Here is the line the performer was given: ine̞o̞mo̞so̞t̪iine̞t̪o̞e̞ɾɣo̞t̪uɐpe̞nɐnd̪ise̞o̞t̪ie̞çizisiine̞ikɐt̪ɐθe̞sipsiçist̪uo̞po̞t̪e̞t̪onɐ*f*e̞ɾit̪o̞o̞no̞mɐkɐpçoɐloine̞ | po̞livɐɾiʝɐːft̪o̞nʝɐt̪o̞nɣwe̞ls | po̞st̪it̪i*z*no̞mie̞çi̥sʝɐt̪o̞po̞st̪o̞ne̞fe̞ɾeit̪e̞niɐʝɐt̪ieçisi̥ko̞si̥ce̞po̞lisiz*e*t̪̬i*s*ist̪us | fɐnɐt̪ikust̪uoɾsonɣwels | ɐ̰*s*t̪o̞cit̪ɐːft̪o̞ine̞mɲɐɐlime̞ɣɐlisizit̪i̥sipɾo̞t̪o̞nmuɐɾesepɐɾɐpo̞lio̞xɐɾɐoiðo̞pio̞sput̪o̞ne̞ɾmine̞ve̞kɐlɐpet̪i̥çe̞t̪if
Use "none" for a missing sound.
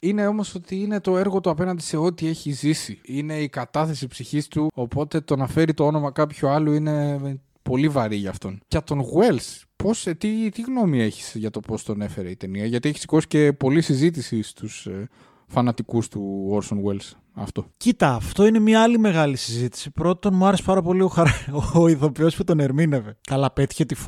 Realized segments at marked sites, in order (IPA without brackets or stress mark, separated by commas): f, ɣ, i, s, f